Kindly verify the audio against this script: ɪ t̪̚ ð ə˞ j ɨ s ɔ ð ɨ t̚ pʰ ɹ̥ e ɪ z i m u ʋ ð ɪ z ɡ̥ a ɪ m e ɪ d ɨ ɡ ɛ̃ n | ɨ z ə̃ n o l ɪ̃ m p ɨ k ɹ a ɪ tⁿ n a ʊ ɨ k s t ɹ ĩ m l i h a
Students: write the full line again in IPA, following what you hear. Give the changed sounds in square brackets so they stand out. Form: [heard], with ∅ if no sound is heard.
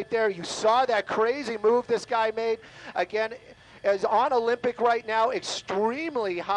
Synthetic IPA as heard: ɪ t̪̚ ð ə˞ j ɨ s ɔ ð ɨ t̚ [kʰ] ɹ̥ e ɪ z i m u [v] ð ɪ [s] ɡ̥ a ɪ m e ɪ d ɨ ɡ ɛ̃ n | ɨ z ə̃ n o l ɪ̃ m p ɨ k ɹ a ɪ tⁿ n a ʊ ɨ k s t ɹ ĩ m l i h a